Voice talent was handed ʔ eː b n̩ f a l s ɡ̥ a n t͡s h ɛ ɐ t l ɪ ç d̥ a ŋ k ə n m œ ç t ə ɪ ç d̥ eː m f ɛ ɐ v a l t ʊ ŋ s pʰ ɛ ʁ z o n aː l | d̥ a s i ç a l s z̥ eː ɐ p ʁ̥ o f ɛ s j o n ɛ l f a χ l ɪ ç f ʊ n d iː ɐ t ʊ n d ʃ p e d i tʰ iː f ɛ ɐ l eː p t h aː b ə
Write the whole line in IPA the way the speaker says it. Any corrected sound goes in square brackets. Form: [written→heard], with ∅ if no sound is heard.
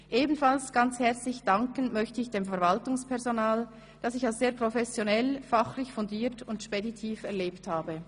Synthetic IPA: ʔ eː b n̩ f a l s ɡ̥ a n t͡s h ɛ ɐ [t→t͡s] l ɪ ç d̥ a ŋ k ə n m œ ç t ə ɪ ç d̥ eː m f ɛ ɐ v a l t ʊ ŋ s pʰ ɛ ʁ z o n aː l | d̥ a s [i→ɪ] ç a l s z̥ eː ɐ p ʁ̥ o f ɛ s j o n ɛ l f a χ l ɪ ç f ʊ n d iː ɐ t ʊ n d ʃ p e d i tʰ iː f ɛ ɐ l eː p t h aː b ə

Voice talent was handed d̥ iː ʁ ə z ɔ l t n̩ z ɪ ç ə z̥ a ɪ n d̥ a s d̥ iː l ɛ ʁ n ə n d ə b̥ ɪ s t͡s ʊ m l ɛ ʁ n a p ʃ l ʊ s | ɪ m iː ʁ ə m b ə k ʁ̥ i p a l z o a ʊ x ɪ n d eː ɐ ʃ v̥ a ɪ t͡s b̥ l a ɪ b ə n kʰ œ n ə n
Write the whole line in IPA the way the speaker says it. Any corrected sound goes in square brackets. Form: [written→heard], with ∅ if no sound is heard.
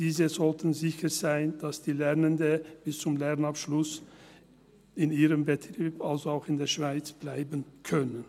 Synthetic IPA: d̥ iː [ʁ→z] ə z ɔ l t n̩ z ɪ ç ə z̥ a ɪ n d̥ a s d̥ iː l ɛ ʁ n ə n d ə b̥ ɪ s t͡s ʊ m l ɛ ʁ n a p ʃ l ʊ s | ɪ [m→n] iː ʁ ə m b ə [k→t] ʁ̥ [i→iː] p a l z o a ʊ x ɪ n d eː ɐ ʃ v̥ a ɪ t͡s b̥ l a ɪ b ə n kʰ œ n ə n

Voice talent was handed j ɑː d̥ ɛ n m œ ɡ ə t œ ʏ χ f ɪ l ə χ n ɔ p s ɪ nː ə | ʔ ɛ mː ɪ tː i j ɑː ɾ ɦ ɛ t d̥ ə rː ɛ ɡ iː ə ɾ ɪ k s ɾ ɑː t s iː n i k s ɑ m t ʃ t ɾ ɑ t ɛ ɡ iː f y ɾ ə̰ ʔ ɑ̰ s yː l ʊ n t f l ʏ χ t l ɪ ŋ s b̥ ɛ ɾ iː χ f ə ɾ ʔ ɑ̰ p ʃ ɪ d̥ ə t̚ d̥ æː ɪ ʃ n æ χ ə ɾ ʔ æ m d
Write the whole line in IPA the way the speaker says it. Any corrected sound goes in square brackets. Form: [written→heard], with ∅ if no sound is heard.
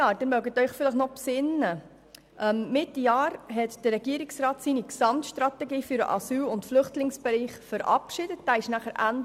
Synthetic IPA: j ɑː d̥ ɛ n m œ ɡ ə t œ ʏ χ f ɪ l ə χ n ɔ p s ɪ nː ə | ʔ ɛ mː ɪ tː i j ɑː ɾ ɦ ɛ t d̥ ə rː ɛ ɡ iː ə ɾ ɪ k s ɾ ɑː t s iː n i k s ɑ m t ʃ t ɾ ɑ t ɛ ɡ iː f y ɾ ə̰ ʔ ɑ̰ s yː l ʊ n t f l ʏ χ t l ɪ ŋ s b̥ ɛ ɾ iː χ f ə ɾ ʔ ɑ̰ p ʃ ɪ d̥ ə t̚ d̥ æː ɪ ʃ n æ χ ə ɾ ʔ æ [m→n] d

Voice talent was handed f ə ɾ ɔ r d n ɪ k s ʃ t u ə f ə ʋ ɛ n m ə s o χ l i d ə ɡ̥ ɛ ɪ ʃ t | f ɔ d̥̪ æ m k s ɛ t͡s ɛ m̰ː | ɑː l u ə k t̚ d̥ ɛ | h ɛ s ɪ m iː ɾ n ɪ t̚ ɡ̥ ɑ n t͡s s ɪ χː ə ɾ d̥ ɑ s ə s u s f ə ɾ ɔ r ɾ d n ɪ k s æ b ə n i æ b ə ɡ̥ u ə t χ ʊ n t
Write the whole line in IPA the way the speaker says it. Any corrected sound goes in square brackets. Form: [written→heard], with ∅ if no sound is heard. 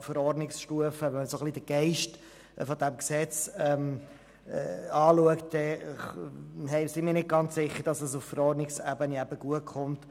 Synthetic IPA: f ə ɾ ɔ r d n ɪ k s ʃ t u ə f ə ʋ ɛ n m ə s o χ l i d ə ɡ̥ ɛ ɪ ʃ t | f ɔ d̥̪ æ m k s ɛ t͡s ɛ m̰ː | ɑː l u ə k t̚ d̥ ɛ | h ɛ s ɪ m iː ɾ n ɪ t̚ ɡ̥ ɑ n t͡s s ɪ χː ə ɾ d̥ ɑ s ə s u [s→f] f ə ɾ ɔ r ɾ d n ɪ k s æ b ə n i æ b ə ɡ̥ u ə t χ ʊ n t

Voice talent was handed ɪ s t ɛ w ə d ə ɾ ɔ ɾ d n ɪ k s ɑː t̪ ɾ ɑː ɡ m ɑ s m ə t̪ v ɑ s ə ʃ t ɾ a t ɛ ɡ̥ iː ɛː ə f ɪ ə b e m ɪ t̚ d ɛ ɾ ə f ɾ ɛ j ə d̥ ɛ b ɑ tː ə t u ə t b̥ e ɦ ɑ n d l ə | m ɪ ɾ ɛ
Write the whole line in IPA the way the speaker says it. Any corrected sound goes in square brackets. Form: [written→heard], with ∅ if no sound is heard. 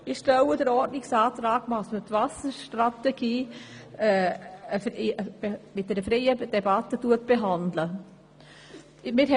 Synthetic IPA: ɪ [s→ʃ] t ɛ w ə d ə ɾ ɔ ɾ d n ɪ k s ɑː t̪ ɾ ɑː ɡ m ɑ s m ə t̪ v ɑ s ə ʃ t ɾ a t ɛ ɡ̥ iː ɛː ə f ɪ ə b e m ɪ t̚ d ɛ ɾ ə f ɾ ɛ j ə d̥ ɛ b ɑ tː ə t u ə t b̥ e ɦ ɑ n d l ə | m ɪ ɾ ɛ

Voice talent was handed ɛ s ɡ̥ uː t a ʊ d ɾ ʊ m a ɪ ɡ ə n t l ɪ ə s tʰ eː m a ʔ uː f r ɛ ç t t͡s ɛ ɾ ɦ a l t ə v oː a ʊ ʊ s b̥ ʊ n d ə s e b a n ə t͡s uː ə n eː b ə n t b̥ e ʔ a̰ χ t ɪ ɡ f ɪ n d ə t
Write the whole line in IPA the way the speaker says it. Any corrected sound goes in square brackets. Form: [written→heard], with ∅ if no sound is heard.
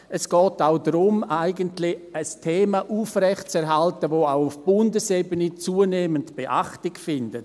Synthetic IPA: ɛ s ɡ̥ [uː→ɔː] t a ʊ d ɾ ʊ m a ɪ ɡ ə n t l ɪ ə s tʰ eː m a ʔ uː f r ɛ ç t t͡s ɛ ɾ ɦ a l t ə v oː a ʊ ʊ [s→f] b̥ ʊ n d ə s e b [a→ə] n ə t͡s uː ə n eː [b→m] ə n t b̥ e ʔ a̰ χ t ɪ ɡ f ɪ n d ə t

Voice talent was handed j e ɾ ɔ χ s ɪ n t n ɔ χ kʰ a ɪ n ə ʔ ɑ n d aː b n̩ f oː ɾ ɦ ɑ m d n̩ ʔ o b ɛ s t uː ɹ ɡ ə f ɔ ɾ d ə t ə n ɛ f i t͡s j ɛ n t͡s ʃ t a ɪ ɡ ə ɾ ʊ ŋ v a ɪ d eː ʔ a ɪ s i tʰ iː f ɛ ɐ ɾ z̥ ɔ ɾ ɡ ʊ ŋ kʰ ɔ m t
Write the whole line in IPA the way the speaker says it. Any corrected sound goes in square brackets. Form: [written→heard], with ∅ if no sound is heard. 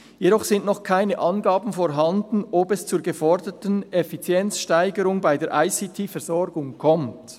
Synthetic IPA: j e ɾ ɔ χ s ɪ n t n ɔ χ kʰ a ɪ n ə ʔ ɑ n [d→ɡ] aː b n̩ f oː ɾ ɦ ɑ [m→n] d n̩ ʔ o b ɛ s [t→t͡s] uː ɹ ɡ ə f ɔ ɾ d ə t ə n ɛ f i t͡s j ɛ n t͡s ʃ t a ɪ ɡ ə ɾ ʊ ŋ [v→b] a ɪ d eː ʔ a ɪ s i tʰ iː f ɛ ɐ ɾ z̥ ɔ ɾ ɡ ʊ ŋ kʰ ɔ m t

